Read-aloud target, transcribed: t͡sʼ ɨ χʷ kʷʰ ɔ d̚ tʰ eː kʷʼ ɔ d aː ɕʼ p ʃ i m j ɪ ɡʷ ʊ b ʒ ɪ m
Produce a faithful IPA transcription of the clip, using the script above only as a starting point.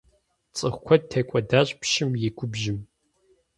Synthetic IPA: t͡sʼ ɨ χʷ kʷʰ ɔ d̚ tʰ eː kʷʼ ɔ d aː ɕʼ p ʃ ɪ m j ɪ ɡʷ ʊ b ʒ ɪ m